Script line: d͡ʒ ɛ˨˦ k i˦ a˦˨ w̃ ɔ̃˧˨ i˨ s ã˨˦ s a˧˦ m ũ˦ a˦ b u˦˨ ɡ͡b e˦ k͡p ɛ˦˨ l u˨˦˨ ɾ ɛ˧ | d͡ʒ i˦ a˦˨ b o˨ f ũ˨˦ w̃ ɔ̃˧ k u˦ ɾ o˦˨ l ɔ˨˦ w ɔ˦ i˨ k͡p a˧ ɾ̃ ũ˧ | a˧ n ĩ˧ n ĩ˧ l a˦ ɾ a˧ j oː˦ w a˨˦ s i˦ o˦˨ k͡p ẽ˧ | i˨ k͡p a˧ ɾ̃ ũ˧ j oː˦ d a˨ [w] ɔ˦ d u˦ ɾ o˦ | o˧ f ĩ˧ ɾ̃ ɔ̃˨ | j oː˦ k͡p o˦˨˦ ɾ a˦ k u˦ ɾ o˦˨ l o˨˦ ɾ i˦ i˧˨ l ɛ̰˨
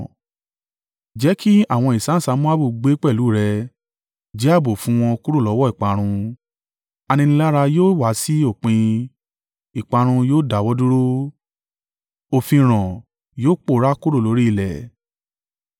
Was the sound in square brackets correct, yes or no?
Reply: yes